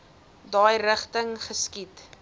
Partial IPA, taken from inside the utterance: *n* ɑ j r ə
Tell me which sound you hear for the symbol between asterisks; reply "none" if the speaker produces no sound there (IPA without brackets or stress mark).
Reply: d